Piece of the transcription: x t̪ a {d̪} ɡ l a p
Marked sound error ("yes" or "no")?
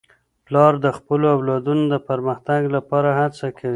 yes